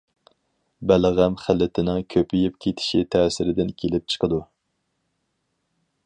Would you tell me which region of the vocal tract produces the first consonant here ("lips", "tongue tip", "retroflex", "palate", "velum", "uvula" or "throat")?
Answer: lips